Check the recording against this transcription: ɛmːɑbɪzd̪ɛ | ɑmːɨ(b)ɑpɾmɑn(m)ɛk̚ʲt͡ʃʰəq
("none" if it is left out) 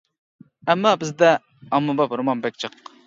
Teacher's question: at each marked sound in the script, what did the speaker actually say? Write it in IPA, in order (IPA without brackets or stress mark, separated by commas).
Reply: b, b